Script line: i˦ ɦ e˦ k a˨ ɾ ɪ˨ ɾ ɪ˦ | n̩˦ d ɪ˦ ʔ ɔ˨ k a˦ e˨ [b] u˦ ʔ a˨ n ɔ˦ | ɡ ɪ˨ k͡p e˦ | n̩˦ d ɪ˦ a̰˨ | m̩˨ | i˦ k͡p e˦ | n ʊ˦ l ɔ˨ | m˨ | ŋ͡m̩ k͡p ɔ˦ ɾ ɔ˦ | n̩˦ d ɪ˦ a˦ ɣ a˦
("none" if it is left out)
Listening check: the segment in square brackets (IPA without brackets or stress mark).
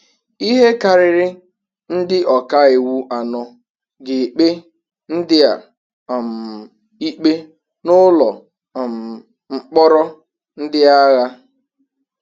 w